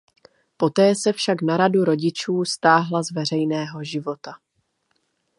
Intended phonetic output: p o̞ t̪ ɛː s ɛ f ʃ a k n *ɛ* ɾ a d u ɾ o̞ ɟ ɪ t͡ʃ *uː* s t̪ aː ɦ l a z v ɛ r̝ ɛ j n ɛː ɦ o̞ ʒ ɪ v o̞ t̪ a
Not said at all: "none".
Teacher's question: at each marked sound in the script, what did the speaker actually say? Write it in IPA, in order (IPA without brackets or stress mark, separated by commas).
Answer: a, uː